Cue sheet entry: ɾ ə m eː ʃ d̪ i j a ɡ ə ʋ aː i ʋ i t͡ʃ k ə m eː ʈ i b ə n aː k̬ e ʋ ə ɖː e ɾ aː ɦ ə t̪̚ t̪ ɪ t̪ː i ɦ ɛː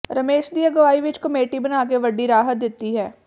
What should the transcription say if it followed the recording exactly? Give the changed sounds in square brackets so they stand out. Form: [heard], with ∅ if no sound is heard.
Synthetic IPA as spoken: ɾ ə m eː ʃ d̪ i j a ɡ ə ʋ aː i ʋ [ɪ] t͡ʃ k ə m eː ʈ i b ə n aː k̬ e ʋ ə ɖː [i] ɾ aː ɦ ə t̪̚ [d̪] ɪ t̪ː i ɦ ɛː